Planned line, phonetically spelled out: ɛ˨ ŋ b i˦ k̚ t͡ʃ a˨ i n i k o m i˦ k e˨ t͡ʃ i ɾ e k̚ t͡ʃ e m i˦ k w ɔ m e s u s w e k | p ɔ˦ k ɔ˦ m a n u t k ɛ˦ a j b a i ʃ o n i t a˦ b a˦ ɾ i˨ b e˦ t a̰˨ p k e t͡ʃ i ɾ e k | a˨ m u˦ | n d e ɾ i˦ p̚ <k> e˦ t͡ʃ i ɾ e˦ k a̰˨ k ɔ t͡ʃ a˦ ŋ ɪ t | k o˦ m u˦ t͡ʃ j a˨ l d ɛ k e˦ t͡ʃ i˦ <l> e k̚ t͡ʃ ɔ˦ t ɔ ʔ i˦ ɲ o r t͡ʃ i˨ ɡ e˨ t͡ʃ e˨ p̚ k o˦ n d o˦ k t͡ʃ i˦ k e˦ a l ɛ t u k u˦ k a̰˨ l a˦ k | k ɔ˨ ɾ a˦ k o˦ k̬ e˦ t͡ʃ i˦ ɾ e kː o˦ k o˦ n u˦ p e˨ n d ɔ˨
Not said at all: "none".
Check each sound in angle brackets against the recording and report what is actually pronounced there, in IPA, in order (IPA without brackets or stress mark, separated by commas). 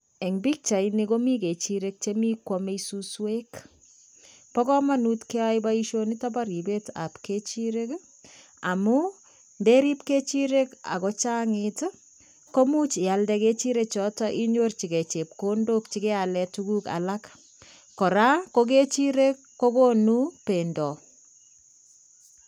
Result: k, ɾ